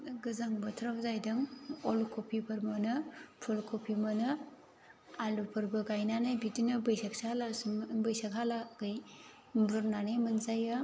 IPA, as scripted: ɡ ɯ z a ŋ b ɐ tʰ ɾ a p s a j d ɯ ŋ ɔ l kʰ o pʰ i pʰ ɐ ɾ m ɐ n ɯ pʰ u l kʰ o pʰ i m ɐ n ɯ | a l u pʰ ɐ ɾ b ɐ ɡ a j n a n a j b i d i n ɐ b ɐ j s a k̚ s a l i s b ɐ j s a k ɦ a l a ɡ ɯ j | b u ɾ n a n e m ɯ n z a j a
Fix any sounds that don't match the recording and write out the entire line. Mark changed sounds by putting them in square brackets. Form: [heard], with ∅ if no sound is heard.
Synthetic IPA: ɡ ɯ z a ŋ b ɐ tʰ ɾ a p [z] a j d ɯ ŋ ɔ l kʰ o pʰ i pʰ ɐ ɾ m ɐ n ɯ pʰ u l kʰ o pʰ i m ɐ n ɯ | a l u pʰ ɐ ɾ b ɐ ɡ a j n a n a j b i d i n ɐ b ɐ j s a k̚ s a l [a] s b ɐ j s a k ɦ a l a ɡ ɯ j | b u ɾ n a n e m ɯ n z a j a